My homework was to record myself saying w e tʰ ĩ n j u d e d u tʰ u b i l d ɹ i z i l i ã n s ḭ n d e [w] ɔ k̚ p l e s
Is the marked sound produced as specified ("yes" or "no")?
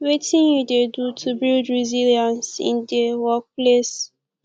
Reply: yes